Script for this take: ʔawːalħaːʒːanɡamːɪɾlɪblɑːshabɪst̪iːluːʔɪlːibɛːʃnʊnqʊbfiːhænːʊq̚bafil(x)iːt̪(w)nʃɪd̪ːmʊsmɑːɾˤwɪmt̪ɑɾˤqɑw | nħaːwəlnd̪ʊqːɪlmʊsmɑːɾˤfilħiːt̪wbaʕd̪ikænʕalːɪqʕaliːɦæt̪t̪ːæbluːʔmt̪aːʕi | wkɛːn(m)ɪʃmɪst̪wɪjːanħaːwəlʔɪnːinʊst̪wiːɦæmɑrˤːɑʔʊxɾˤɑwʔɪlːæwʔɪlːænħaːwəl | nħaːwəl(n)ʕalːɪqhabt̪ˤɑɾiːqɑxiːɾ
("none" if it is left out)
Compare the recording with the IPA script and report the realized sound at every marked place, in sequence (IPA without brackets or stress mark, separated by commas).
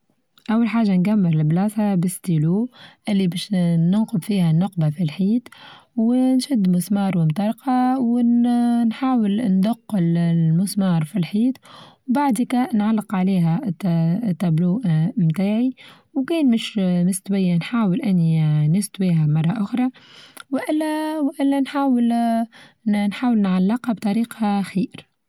ħ, w, m, n